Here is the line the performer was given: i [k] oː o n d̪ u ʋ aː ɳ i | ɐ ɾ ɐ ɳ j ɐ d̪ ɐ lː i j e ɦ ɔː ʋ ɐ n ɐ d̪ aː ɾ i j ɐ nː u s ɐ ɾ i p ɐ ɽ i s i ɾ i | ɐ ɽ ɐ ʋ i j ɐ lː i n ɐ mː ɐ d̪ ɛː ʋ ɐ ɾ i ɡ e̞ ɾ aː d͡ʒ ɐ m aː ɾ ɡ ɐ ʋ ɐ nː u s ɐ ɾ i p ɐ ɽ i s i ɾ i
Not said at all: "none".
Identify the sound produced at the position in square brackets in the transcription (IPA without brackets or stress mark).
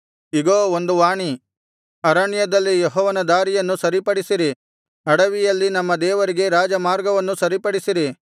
ɡ